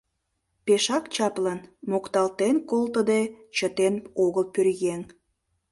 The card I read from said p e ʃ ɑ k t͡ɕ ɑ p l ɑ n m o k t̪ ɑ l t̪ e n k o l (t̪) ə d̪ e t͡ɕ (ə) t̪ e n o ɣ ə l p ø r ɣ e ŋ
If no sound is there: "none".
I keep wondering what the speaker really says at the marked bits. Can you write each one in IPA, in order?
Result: t̪, ə

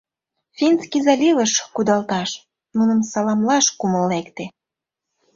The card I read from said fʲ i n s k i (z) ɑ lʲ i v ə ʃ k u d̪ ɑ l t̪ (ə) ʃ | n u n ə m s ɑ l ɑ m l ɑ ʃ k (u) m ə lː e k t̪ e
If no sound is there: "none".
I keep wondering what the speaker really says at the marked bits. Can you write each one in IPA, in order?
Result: z, ɑ, u

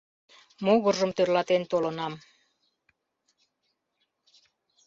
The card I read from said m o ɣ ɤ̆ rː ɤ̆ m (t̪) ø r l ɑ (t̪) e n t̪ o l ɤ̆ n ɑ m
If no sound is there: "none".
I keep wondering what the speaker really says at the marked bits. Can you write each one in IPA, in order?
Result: t̪, t̪

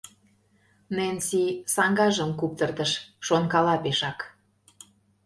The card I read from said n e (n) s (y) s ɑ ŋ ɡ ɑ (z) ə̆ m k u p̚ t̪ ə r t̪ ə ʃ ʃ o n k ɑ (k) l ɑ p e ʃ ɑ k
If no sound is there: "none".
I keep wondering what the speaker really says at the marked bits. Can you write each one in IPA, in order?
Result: n, i, ʒ, none

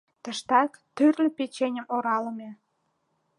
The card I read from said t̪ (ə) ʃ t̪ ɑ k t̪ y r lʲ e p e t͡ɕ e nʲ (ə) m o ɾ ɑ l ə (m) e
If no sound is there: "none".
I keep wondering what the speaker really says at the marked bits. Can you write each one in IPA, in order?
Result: ə, ə, m

